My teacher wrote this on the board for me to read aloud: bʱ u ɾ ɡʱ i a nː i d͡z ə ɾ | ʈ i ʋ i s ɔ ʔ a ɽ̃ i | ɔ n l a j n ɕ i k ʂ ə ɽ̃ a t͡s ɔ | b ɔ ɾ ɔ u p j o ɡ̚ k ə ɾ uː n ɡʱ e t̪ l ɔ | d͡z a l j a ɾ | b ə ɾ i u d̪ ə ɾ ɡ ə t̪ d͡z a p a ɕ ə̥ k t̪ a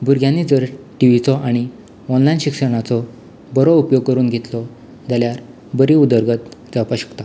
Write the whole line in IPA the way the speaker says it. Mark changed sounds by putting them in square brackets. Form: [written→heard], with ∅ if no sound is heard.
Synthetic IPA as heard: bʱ u ɾ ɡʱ [i→j] a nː i d͡z ə ɾ | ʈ i ʋ i [s→t͡s] ɔ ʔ a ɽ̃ i | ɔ n l a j n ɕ i k ʂ ə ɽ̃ a t͡s ɔ | b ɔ ɾ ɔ u p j o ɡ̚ k ə ɾ uː n ɡʱ e t̪ l ɔ | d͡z a l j a ɾ | b ə ɾ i u d̪ ə ɾ ɡ ə t̪ d͡z a p a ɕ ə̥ k t̪ a